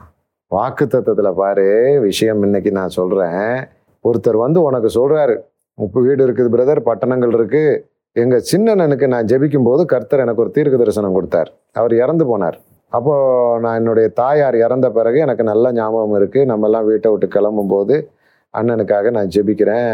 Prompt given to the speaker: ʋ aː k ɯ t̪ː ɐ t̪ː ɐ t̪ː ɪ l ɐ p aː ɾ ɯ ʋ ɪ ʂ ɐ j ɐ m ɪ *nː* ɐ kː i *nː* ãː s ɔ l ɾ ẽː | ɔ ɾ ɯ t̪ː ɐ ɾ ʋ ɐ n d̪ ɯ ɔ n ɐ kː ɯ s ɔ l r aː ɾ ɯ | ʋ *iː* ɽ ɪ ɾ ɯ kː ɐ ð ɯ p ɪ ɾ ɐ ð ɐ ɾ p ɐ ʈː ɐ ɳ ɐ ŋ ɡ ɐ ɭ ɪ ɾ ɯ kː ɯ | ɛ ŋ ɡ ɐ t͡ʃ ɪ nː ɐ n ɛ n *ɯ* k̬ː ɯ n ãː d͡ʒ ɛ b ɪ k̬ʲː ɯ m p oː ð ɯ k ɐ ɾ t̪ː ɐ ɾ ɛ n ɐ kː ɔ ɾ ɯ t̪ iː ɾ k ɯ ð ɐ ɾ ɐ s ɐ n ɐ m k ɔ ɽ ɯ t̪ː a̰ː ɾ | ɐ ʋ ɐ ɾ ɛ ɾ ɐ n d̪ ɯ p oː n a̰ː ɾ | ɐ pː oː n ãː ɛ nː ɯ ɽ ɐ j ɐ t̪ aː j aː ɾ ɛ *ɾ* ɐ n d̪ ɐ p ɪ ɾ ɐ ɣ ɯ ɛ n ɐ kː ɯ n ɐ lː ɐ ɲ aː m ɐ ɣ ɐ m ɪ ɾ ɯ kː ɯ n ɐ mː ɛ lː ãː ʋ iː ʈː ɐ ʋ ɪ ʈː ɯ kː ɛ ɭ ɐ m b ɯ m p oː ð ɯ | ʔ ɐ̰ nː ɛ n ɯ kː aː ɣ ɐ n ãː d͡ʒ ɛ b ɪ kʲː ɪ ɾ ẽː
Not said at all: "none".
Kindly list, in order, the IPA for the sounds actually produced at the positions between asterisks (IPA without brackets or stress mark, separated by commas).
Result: nː, n, iː, ɯ, ɾ